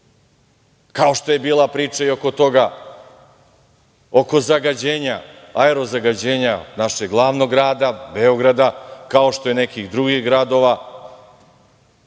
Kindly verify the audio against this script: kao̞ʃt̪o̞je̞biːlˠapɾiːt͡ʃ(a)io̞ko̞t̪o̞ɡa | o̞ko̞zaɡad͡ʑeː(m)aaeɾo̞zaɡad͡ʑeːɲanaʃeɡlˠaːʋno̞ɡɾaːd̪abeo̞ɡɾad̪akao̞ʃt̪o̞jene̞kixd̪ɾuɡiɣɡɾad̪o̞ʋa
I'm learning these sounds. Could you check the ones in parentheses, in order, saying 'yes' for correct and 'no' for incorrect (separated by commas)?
yes, no